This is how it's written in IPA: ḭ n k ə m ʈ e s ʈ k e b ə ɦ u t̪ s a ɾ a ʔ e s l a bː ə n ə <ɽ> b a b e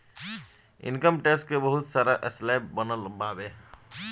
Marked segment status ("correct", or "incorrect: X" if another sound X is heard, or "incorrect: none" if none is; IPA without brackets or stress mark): incorrect: l